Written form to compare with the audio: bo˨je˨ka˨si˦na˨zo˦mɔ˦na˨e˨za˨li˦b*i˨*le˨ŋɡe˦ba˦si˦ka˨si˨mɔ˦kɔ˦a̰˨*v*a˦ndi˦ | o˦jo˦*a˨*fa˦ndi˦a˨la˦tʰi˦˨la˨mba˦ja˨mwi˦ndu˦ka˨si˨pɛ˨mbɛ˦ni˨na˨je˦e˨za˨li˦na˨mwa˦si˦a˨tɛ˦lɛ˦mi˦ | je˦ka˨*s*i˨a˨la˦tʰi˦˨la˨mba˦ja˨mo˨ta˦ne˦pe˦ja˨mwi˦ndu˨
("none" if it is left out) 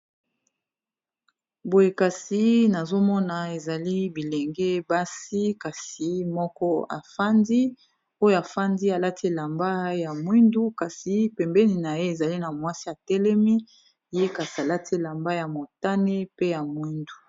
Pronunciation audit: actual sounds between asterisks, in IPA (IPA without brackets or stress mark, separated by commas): i˨, f, a˨, s